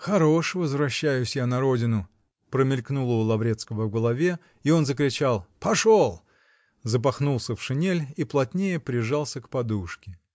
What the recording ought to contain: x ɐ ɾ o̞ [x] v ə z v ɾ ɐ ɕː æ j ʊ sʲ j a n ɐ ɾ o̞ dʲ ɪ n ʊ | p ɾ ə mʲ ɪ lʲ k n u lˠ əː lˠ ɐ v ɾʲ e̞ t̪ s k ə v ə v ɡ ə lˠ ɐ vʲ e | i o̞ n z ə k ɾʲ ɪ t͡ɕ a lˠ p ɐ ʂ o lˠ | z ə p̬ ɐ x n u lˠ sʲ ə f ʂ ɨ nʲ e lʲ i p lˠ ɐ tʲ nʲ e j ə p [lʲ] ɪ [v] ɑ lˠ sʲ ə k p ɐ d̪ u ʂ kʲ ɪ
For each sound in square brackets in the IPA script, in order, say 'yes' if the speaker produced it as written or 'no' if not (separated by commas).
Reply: no, no, no